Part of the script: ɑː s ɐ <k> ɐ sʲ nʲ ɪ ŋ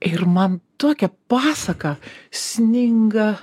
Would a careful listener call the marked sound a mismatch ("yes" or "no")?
no